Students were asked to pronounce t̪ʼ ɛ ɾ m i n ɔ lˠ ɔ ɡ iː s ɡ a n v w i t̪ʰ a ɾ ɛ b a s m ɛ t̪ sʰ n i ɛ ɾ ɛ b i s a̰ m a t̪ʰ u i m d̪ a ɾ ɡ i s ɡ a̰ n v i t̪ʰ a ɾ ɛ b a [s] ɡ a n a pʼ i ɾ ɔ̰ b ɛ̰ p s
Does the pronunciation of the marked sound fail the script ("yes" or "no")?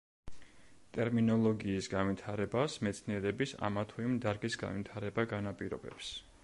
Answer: yes